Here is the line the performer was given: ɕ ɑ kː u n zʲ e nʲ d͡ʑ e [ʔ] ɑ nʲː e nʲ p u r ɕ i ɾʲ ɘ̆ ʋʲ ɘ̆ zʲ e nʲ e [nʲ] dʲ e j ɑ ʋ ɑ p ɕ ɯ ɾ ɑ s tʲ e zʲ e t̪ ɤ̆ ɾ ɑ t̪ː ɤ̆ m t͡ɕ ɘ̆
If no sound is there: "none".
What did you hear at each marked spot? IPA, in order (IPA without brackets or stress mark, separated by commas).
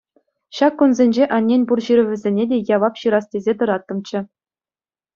ʔ, none